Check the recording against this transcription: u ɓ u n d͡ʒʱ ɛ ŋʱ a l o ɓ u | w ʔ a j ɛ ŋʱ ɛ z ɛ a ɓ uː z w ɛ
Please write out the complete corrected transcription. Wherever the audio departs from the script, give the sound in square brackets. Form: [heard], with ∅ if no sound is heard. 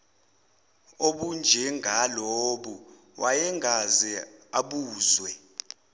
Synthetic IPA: [o] ɓ u n d͡ʒʱ ɛ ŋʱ a l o ɓ u | w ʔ a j ɛ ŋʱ [a] z ɛ a ɓ uː z w ɛ